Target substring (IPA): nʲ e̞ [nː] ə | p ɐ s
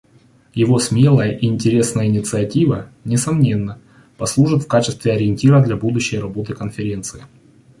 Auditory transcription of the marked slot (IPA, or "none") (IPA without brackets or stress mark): nː